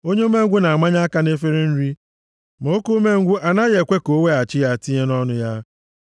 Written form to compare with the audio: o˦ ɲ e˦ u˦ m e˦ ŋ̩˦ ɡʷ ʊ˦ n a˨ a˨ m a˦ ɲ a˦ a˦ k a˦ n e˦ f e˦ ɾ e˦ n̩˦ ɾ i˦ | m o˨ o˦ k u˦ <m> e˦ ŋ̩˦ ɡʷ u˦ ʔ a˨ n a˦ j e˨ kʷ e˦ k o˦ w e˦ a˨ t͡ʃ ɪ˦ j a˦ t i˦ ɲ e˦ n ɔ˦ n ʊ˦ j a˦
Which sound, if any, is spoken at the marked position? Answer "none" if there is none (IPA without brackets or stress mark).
m